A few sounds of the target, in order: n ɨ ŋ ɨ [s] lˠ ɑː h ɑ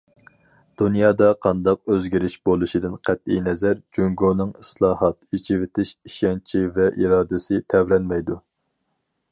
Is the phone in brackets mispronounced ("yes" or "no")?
no